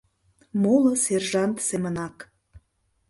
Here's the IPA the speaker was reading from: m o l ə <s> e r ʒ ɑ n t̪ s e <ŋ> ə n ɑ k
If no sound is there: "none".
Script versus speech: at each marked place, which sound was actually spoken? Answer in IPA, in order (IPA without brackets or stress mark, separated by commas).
s, m